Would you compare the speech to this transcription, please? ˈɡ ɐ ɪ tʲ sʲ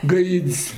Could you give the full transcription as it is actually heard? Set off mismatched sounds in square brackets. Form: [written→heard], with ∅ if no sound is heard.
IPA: ˈɡ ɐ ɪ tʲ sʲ